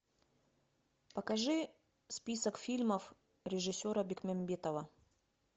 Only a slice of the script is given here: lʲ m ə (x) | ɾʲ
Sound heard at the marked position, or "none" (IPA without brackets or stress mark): f